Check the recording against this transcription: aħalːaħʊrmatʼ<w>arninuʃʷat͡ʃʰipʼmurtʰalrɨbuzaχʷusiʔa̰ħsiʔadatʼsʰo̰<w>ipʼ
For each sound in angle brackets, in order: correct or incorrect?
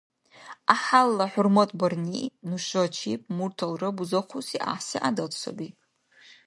incorrect: b, incorrect: b

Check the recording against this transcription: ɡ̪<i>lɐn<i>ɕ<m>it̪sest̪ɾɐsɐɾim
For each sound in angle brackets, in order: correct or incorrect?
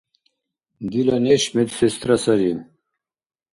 correct, incorrect: e, correct

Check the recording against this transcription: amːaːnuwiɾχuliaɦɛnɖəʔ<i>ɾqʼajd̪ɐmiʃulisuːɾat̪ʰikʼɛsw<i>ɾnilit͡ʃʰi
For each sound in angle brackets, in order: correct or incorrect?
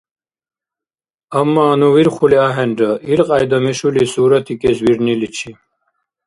correct, correct

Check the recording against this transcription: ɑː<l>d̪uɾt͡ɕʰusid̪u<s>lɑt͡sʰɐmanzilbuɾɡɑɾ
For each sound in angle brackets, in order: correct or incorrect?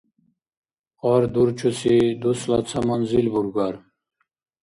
incorrect: ɾ, correct

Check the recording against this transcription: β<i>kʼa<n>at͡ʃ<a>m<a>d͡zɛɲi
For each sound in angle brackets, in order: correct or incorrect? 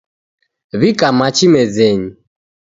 correct, incorrect: m, incorrect: i, incorrect: ɛ

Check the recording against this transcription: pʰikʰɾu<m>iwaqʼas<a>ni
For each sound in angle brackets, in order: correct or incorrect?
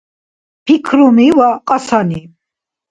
correct, correct

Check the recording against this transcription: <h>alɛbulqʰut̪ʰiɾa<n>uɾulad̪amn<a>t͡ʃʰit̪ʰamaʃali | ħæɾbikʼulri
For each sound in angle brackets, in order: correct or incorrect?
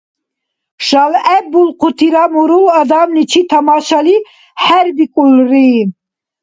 incorrect: ʃ, incorrect: m, incorrect: i

